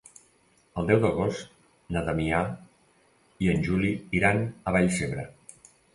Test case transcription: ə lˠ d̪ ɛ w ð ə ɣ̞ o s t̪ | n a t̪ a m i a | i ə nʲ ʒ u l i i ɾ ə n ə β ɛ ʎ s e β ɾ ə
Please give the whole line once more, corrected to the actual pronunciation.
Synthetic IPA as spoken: ə lˠ d̪ ɛ w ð ə ɣ̞ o s t̪ | n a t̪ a m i a | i ə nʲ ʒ u l i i ɾ a n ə β a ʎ s e β ɾ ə